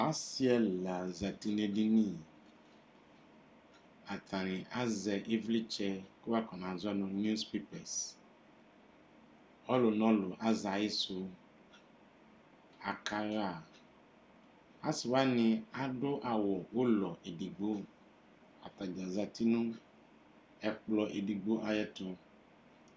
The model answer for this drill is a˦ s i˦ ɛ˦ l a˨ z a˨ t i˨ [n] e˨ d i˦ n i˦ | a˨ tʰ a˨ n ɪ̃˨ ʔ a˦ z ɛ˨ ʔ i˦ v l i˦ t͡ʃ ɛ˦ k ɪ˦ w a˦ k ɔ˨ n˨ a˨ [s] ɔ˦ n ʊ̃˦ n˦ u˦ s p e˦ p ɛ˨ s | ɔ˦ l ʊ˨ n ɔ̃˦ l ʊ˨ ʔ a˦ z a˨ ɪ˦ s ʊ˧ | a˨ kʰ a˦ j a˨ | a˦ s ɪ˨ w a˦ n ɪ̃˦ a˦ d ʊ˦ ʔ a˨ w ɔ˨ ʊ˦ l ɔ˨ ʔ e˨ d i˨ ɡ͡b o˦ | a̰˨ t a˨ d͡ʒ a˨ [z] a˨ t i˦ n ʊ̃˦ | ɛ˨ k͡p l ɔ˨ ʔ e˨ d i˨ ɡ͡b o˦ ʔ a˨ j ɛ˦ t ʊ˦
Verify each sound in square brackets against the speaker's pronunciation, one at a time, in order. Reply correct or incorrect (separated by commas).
correct, incorrect, correct